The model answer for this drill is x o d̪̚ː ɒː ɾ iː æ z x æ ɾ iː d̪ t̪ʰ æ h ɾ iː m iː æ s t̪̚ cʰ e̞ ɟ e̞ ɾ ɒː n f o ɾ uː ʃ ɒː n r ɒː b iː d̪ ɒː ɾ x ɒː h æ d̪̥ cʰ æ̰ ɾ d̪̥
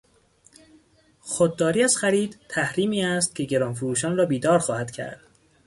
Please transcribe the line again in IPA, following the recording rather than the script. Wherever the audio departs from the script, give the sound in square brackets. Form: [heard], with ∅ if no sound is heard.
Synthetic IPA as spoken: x o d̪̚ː ɒː ɾ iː æ z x æ ɾ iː d̪ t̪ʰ æ h ɾ iː m iː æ s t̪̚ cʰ e̞ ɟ e̞ ɾ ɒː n f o ɾ uː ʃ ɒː n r ɒː b iː d̪ ɒː ɾ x ɒː h æ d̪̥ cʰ æ̰ ɾ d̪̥